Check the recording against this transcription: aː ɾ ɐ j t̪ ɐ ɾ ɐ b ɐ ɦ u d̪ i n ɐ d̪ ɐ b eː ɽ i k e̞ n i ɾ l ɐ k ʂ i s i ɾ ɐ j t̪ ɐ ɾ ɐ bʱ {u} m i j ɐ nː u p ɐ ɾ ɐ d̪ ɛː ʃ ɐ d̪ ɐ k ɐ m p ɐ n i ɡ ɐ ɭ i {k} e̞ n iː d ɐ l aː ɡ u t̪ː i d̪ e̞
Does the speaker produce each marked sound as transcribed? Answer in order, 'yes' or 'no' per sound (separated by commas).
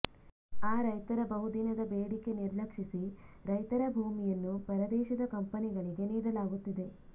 no, no